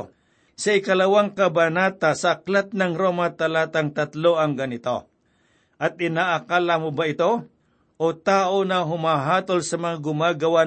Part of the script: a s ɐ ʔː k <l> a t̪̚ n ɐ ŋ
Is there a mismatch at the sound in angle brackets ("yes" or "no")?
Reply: no